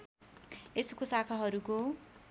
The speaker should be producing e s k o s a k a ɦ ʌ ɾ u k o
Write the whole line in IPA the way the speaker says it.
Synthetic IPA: e s k o s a kʰ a ɦ ʌ ɾ u k o